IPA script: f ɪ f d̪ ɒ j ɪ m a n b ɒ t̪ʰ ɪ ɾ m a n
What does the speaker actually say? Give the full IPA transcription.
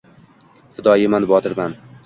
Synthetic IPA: f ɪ d̪ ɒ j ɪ m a n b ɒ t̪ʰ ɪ ɾ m a n